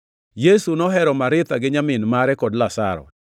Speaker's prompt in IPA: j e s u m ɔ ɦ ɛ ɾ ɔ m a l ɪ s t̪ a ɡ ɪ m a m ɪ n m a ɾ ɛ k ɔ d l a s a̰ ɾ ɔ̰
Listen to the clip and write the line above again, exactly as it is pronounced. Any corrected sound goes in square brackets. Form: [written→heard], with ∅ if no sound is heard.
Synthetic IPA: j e s u [m→n] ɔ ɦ ɛ ɾ ɔ m a [l→ɾ] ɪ [s→∅] t̪ a ɡ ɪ [m→ɲ] a m ɪ n m a ɾ ɛ k ɔ d l a s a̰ ɾ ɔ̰